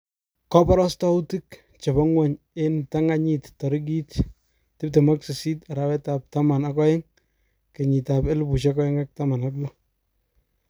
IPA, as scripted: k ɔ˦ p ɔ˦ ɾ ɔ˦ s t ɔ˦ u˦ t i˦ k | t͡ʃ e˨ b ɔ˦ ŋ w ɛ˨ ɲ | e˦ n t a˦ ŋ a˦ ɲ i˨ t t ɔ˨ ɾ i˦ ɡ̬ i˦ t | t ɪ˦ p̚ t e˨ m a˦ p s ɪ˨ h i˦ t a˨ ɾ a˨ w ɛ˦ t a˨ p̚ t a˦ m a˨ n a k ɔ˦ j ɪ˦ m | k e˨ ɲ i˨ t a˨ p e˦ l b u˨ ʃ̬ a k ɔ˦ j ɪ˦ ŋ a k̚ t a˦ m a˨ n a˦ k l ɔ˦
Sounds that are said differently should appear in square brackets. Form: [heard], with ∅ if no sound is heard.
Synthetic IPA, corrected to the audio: k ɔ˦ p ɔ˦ ɾ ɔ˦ s t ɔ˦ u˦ t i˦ k | t͡ʃ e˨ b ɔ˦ ŋ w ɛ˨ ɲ | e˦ n t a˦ ŋ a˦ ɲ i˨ t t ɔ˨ ɾ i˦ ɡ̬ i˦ t | t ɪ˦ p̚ t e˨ m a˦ [k] s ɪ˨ [s] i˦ t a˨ ɾ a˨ w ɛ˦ t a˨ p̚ t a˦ m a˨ n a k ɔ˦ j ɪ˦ [ŋ] | k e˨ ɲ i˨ t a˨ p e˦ l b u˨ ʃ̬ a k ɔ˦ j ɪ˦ ŋ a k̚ t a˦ m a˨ n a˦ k l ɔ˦